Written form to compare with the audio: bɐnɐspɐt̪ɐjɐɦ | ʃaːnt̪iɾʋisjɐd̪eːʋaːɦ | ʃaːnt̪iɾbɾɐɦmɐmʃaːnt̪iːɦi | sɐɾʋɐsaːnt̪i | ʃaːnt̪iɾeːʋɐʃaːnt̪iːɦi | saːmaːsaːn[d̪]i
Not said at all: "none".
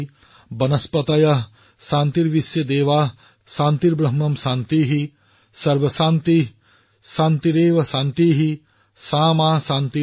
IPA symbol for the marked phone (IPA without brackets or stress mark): t̪